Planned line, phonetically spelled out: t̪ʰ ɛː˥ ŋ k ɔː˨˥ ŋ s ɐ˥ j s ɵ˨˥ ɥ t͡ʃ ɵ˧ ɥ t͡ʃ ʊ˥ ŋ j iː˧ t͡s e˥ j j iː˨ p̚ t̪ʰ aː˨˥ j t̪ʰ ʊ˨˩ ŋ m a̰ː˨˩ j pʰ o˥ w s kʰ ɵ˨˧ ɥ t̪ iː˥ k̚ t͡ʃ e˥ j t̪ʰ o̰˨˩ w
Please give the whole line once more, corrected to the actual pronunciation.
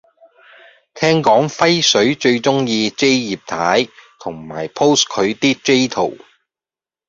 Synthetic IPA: t̪ʰ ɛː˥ ŋ k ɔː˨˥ ŋ f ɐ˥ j s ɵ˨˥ ɥ t͡ʃ ɵ˧ ɥ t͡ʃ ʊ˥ ŋ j iː˧ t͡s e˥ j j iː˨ p̚ t̪ʰ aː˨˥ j t̪ʰ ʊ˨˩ ŋ m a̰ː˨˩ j pʰ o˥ w s kʰ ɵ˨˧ ɥ t̪ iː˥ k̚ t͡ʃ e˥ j t̪ʰ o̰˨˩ w